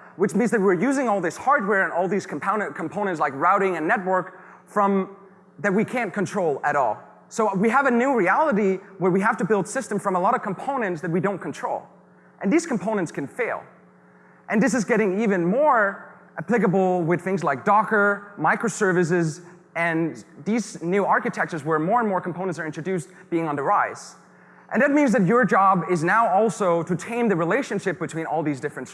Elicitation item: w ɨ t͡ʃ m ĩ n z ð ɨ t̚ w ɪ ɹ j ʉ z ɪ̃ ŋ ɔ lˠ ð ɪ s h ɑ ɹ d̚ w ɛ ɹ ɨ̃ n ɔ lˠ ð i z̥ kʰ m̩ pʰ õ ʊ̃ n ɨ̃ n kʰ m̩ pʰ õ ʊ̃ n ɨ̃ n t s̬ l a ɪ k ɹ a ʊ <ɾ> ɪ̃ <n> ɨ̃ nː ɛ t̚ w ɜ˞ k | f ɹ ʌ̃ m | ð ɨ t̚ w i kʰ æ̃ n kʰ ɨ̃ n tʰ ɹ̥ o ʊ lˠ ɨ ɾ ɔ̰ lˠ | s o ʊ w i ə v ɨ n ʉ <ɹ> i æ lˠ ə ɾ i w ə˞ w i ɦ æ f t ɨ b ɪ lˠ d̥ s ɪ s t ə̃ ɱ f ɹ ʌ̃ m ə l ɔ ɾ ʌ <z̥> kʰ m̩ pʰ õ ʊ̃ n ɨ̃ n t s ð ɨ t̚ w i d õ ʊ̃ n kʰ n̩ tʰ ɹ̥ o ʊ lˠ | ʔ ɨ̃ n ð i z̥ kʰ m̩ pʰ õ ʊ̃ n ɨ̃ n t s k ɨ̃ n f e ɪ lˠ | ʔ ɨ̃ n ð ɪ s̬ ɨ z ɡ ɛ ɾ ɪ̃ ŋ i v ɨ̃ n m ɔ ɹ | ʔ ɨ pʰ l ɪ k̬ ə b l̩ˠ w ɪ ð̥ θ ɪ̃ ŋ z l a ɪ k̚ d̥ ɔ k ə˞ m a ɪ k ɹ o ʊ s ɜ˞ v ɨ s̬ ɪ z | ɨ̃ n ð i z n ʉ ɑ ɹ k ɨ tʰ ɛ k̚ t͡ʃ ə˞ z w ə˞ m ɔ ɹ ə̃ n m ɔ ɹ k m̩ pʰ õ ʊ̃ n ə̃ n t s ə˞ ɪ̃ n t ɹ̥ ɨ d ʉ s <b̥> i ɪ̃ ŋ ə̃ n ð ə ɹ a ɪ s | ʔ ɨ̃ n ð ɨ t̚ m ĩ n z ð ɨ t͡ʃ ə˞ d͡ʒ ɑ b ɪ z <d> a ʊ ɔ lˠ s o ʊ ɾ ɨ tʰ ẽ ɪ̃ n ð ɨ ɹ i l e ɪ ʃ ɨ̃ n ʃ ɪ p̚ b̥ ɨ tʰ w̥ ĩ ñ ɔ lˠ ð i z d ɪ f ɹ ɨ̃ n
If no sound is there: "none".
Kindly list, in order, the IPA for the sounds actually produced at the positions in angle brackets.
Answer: ɾ, ŋ, ɹ, v̥, b̥, n

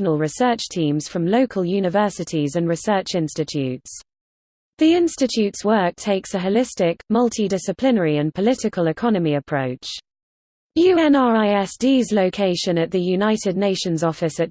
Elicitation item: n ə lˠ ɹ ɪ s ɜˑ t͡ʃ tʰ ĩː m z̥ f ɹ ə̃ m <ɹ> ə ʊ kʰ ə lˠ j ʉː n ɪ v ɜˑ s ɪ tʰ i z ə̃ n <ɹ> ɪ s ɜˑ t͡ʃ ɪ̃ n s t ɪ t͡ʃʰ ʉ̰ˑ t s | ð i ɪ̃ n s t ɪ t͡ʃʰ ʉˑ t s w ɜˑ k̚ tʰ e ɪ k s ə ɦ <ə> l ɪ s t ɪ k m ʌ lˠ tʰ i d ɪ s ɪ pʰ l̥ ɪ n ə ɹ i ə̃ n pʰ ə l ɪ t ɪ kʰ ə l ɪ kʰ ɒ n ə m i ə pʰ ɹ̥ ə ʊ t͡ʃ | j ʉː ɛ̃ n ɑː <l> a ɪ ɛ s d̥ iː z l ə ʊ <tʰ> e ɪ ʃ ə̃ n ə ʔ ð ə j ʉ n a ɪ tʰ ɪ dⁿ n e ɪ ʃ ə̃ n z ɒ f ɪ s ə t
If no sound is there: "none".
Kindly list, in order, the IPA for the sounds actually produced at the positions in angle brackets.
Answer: l, ɹ, ə, ɹ, kʰ

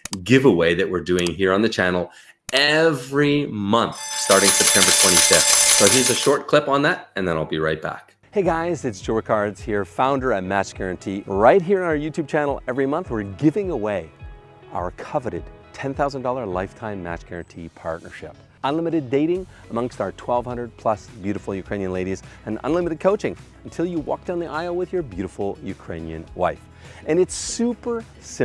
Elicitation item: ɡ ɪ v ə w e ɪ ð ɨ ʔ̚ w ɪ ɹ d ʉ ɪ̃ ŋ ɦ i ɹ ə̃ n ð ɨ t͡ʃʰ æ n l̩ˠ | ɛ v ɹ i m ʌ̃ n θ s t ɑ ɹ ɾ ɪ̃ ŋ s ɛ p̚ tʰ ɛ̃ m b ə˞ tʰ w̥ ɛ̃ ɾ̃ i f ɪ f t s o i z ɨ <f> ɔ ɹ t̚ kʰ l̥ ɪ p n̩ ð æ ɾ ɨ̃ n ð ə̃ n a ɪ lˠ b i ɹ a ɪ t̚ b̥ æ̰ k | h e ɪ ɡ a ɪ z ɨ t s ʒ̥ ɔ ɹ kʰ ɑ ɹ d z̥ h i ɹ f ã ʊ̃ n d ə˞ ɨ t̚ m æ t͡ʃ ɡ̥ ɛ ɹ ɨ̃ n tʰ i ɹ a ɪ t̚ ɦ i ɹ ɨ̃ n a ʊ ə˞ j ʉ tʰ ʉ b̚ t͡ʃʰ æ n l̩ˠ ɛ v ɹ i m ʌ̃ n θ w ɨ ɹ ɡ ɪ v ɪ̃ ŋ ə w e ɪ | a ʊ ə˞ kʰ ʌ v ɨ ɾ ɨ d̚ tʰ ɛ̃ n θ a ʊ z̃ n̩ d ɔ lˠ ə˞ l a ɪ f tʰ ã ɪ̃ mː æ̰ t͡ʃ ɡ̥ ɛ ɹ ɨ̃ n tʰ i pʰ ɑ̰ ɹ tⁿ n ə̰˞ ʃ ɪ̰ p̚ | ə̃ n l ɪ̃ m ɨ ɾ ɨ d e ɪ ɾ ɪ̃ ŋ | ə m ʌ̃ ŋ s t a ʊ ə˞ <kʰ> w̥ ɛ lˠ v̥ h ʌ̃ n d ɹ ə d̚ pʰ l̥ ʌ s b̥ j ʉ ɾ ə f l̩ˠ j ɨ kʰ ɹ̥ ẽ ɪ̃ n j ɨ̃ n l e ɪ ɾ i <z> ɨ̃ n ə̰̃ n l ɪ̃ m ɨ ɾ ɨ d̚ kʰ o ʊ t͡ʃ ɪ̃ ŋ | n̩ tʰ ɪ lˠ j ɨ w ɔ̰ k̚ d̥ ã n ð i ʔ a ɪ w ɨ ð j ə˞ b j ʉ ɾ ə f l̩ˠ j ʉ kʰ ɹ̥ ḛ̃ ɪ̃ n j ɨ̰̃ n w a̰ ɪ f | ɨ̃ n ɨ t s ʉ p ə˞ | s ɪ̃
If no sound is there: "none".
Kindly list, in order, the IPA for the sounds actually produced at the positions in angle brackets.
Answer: ʃ, tʰ, z

